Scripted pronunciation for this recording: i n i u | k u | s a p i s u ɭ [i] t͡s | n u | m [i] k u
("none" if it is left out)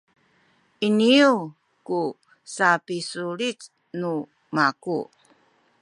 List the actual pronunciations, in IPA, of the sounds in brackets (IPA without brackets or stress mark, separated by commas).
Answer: i, a